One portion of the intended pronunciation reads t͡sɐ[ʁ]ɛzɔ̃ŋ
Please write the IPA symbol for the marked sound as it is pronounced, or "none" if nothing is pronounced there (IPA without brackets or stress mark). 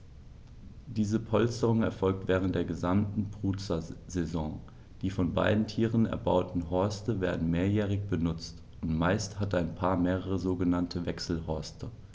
z